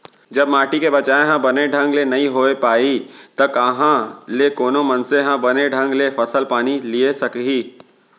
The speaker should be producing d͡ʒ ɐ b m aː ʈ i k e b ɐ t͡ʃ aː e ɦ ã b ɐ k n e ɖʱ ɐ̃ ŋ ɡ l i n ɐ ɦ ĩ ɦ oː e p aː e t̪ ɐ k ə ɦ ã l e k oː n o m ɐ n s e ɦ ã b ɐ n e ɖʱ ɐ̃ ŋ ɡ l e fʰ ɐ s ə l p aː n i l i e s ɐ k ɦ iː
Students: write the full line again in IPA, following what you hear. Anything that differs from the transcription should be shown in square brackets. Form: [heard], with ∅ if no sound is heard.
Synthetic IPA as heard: d͡ʒ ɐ b m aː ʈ i k e b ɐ t͡ʃ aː e ɦ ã b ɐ [∅] n e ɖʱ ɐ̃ ŋ ɡ l [e] n ɐ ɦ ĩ ɦ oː e p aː [i] t̪ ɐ k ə ɦ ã l e k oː n o m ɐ n s e ɦ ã b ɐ n e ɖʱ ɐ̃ ŋ ɡ l e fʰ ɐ s ə l p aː n i l i e s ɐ k ɦ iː